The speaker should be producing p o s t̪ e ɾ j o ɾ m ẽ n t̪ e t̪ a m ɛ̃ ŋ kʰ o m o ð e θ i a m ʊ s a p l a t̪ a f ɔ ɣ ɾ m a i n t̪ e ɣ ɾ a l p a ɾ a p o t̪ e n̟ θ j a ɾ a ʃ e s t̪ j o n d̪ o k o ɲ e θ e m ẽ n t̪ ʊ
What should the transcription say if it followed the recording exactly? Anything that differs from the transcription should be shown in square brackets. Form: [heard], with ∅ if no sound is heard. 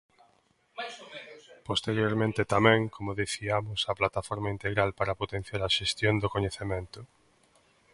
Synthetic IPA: p o s t̪ e ɾ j o ɾ m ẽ n t̪ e t̪ a m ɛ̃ ŋ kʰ o m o ð e θ i a m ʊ s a p l a t̪ a f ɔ [∅] ɾ m a i n t̪ e ɣ ɾ a l p a ɾ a p o t̪ e n̟ θ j a ɾ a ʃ e s t̪ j o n d̪ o k o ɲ e θ e m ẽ n t̪ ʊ